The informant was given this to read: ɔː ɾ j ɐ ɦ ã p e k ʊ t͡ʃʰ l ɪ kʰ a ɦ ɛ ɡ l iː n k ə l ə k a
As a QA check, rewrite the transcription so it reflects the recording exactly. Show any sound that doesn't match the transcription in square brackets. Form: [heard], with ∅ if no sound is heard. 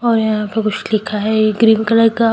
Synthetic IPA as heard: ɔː ɾ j ɐ ɦ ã p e k ʊ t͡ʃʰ l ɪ kʰ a ɦ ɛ ɡ [ɾ] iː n k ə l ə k a